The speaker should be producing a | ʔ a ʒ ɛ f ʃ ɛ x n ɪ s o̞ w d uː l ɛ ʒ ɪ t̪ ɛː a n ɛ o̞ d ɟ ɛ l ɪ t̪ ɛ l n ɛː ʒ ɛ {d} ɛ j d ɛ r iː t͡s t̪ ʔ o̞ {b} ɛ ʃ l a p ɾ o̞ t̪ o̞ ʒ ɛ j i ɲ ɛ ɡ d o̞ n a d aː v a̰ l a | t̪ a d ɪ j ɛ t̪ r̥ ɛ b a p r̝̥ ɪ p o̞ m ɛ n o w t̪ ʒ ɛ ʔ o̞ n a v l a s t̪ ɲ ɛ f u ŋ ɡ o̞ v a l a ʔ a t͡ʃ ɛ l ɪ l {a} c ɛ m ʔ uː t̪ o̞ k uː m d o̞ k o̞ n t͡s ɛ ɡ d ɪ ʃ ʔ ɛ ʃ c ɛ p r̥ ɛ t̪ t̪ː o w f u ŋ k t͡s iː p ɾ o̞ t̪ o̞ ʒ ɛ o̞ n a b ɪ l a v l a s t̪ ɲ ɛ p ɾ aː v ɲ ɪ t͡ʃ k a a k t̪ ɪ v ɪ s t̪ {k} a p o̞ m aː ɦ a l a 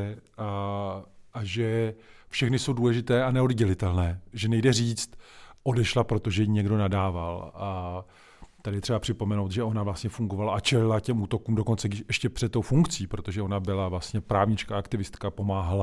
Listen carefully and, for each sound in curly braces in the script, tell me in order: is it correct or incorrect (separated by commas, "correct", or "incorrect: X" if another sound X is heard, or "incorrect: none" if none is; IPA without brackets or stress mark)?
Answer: incorrect: n, incorrect: d, correct, correct